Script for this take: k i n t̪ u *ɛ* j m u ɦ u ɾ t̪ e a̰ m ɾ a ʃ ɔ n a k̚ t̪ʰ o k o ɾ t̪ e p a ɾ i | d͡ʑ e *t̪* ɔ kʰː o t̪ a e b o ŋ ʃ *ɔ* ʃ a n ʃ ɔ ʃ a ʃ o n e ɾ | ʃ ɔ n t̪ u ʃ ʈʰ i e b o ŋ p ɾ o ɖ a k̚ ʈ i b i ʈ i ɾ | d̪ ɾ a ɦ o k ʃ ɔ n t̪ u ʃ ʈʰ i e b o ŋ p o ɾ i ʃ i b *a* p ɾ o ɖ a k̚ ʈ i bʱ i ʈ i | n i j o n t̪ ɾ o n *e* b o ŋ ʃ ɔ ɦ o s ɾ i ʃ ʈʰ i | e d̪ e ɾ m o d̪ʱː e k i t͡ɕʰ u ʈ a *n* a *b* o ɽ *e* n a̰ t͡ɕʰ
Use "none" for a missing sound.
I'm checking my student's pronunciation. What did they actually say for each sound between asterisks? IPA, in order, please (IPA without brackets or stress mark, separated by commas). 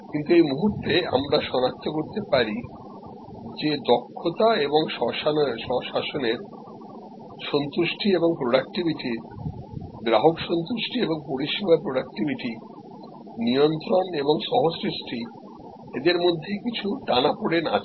e, d̪, ɔ, a, e, n, p, e